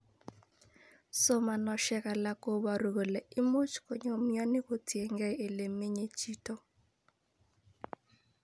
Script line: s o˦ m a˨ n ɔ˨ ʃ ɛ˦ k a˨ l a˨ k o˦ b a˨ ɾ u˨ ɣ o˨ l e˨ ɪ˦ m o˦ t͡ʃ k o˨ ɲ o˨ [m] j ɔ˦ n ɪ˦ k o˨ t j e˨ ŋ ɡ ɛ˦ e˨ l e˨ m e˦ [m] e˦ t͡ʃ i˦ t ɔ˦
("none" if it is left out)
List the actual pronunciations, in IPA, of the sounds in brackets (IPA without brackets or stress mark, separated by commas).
m, ɲ